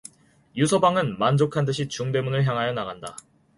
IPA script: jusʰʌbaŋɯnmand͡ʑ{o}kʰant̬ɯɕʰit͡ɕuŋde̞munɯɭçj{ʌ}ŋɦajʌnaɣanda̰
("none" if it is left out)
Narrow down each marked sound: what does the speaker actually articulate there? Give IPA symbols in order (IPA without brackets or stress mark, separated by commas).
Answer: o, a